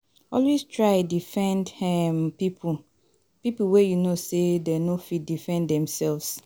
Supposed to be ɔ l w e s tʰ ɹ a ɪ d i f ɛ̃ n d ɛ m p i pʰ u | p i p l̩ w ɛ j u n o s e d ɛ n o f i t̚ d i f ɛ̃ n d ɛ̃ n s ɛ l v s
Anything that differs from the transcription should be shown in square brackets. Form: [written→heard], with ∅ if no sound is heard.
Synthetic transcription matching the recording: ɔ l w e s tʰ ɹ a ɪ d i f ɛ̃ n d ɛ m p i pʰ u | p i p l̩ w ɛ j u n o s e d ɛ n o f i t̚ d i f ɛ̃ n d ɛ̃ [n→m] s ɛ l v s